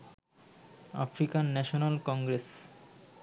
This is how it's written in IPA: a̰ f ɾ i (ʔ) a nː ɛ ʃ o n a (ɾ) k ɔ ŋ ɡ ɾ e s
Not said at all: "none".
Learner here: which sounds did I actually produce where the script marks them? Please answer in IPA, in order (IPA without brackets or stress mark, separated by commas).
k, l